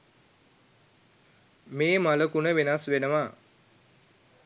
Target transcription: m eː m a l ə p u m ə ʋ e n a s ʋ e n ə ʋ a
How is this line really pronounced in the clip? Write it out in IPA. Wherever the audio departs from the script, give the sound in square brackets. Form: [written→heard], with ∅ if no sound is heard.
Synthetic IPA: m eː m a l ə [p→k] u [m→n] ə ʋ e n a s ʋ e n ə ʋ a